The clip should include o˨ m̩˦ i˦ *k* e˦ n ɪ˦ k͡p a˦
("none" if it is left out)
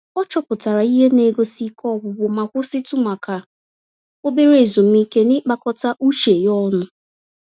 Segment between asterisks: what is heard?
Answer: k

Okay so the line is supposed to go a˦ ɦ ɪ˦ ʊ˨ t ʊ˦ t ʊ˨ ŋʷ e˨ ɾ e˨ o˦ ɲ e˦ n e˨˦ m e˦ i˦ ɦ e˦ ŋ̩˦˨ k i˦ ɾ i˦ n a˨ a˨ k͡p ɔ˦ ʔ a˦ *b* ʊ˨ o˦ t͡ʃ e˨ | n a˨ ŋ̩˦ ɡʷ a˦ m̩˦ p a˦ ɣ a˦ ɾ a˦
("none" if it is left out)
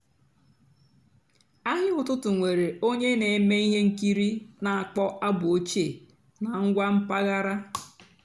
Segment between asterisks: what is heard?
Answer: b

